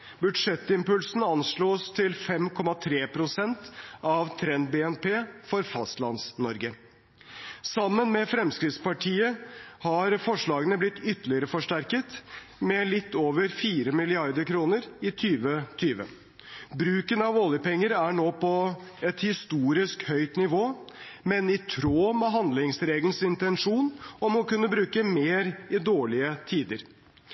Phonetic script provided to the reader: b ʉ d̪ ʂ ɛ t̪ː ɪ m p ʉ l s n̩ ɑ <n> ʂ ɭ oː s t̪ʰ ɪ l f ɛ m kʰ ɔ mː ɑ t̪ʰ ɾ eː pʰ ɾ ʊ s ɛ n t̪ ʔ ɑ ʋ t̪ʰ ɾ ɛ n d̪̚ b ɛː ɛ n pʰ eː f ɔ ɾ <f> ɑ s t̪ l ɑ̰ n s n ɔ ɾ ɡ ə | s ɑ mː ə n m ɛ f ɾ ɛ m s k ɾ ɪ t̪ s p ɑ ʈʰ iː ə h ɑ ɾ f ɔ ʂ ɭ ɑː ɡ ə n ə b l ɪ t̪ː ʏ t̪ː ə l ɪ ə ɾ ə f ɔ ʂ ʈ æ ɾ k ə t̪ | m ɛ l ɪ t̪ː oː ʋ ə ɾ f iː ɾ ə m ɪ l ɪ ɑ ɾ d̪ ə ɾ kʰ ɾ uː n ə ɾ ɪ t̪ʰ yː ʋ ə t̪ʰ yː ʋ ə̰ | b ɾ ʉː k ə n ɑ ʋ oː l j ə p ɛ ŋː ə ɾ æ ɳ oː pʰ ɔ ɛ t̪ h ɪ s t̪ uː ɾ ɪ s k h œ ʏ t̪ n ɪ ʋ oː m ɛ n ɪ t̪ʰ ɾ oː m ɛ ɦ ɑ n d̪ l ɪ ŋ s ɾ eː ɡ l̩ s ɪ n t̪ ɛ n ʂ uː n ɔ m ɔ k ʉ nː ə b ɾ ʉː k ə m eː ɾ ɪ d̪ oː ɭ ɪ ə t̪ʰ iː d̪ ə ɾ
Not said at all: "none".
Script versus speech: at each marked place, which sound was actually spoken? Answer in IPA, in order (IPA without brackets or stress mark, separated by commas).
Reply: n, f